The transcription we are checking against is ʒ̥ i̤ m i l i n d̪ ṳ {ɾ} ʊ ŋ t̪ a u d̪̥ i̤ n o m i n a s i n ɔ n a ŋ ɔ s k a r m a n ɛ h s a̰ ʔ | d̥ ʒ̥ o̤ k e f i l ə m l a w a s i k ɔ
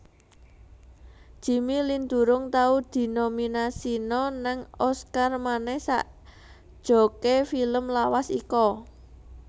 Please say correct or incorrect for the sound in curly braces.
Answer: correct